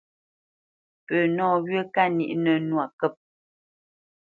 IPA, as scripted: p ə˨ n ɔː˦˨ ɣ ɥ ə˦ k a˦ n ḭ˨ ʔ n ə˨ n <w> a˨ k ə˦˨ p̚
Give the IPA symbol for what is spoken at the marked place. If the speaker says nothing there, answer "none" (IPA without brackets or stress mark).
w